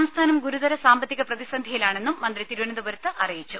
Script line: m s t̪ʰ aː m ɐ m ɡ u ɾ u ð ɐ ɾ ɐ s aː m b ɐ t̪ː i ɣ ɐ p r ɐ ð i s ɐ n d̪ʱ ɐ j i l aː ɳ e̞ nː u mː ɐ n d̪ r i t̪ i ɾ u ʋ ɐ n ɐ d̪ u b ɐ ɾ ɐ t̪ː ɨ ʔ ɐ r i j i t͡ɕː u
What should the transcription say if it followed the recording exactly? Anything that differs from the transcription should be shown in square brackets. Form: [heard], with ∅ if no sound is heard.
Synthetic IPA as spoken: m s t̪ʰ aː [n] ɐ m ɡ u ɾ u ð ɐ ɾ ɐ s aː m b ɐ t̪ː i ɣ ɐ p r ɐ ð i s ɐ n d̪ʱ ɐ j i l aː ɳ e̞ nː u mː ɐ n d̪ r i t̪ i ɾ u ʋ ɐ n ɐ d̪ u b ɐ ɾ ɐ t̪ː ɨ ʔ ɐ r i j i t͡ɕː u